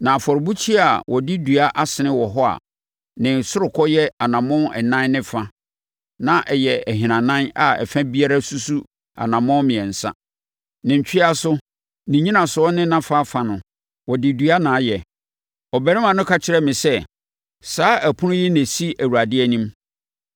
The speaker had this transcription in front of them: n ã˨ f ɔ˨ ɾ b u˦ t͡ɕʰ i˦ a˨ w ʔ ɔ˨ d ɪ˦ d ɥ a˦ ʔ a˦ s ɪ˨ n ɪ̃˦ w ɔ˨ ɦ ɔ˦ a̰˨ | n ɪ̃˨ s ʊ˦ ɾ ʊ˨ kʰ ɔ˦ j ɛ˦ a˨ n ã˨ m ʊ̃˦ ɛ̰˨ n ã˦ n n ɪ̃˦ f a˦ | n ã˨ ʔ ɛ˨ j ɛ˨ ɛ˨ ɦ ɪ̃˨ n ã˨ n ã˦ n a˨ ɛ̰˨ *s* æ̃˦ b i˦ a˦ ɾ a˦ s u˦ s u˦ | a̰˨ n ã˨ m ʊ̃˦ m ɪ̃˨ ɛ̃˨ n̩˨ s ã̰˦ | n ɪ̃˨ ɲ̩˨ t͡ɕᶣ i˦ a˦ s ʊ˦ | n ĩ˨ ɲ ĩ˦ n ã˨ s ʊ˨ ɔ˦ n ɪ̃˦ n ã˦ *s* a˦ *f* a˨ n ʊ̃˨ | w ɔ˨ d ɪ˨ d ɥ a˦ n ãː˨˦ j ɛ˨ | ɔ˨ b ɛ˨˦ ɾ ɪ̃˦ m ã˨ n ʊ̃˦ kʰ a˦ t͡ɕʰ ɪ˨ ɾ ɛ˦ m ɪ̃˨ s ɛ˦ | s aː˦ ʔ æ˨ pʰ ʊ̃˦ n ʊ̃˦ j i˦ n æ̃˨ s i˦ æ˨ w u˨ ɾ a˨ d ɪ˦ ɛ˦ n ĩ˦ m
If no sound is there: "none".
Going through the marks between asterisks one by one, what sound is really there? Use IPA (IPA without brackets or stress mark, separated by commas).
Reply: f, f, f